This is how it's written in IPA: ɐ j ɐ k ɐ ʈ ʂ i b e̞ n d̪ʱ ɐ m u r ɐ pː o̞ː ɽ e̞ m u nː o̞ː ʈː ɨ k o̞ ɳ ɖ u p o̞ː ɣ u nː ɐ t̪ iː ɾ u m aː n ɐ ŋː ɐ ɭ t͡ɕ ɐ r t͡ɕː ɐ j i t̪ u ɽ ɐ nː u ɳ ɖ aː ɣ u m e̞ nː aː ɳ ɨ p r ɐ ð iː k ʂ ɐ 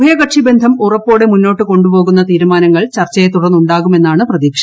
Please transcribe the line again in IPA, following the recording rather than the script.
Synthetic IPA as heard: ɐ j ɐ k ɐ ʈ ʂ i b e̞ n d̪ʱ ɐ m u r ɐ pː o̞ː ɽ e̞ m u nː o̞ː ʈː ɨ k o̞ ɳ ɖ u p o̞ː ɣ u nː ɐ t̪ iː ɾ u m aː n ɐ ŋː ɐ ɭ t͡ɕ ɐ r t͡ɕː ɐ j e t̪ u ɽ ɐ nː u ɳ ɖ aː ɣ u m e̞ nː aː ɳ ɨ p r ɐ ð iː k ʂ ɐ